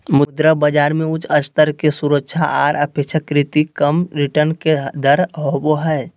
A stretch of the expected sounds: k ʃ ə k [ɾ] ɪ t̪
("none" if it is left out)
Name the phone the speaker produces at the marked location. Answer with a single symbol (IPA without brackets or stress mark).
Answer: ɾ